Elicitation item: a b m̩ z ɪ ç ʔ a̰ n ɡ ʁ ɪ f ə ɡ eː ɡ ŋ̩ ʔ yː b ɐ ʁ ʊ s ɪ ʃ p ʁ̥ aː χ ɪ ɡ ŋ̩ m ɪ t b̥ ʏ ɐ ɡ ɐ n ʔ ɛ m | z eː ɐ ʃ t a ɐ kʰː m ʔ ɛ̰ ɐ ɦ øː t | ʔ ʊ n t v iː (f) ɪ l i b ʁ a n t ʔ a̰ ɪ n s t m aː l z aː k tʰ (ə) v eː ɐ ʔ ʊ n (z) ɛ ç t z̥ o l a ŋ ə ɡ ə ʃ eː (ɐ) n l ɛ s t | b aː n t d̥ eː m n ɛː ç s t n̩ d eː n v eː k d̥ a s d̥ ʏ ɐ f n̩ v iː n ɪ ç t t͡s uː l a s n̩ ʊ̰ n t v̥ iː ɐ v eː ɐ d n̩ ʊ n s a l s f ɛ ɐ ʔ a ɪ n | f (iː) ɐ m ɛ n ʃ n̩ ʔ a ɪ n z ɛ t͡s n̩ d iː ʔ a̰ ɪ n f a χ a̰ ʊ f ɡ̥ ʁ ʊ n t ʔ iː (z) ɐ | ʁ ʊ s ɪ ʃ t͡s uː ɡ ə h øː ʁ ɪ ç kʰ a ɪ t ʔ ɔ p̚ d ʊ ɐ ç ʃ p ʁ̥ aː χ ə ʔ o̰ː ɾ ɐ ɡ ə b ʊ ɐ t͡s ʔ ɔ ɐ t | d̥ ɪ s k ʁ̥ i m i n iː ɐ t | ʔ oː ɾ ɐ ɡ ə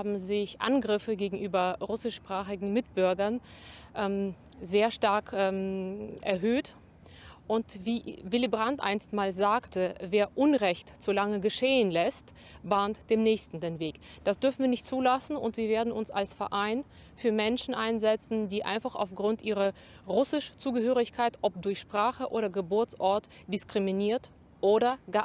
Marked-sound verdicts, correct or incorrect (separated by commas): incorrect, correct, incorrect, incorrect, incorrect, incorrect